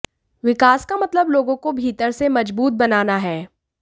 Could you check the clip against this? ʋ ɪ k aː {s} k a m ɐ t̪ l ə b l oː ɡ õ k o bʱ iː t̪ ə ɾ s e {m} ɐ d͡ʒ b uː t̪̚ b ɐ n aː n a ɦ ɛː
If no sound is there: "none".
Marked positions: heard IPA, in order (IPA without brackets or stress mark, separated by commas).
s, m